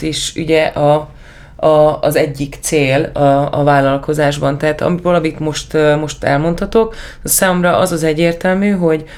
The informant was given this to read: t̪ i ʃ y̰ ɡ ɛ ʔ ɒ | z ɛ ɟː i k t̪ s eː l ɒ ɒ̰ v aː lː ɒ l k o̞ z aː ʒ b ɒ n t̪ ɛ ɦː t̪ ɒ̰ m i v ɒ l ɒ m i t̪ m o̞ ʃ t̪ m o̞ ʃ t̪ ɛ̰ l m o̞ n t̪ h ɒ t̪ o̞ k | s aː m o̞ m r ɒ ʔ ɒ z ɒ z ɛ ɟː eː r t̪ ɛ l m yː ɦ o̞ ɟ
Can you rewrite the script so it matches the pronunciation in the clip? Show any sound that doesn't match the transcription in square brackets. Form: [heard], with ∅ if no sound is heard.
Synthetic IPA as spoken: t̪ i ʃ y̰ [ɟ] ɛ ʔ ɒ | z ɛ ɟː i k t̪ s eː l ɒ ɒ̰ v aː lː ɒ l k o̞ z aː ʒ b ɒ n t̪ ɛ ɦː t̪ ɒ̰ m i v ɒ l ɒ m i t̪ m o̞ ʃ t̪ m o̞ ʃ t̪ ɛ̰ l m o̞ n t̪ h ɒ t̪ o̞ k | s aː m o̞ m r ɒ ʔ ɒ z ɒ z ɛ ɟː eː r t̪ ɛ l m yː ɦ o̞ ɟ